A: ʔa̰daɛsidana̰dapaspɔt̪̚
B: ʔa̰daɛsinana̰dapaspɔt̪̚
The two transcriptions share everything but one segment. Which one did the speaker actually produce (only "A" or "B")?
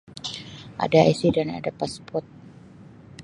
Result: A